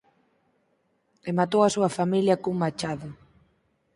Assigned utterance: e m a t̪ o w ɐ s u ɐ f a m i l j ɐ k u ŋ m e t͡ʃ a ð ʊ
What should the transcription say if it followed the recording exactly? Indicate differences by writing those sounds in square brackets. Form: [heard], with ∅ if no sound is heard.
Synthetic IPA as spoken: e m a t̪ o w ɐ s u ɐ f a m i l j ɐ k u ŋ m [a] t͡ʃ a ð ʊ